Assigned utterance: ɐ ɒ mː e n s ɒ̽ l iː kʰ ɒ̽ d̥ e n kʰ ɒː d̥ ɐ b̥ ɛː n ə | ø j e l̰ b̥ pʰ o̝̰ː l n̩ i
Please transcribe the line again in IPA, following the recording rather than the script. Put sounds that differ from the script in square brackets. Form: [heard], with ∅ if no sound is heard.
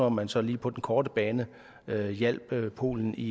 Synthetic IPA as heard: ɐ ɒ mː [æ] n s ɒ̽ l iː [pʰ] ɒ̽ d̥ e n kʰ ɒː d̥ [ə] b̥ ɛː n ə | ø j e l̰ b̥ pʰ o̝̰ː l n̩ i